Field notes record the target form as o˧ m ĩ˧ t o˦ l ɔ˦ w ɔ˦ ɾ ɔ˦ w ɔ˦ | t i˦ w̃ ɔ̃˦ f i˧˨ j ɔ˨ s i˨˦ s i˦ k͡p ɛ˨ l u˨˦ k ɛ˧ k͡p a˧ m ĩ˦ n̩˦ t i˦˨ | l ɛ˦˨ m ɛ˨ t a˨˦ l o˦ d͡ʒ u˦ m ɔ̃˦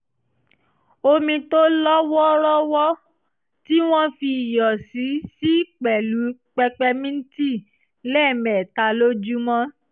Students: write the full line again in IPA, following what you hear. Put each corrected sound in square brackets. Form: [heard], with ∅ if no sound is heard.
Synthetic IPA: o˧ m ĩ˧ t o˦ l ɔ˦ w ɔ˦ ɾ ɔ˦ w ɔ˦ | t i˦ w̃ ɔ̃˦ f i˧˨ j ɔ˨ s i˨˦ s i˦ k͡p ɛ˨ l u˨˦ [k͡p] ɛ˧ k͡p [ɛ˧] m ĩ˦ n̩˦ t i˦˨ | l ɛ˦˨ m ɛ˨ t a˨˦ l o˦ d͡ʒ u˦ m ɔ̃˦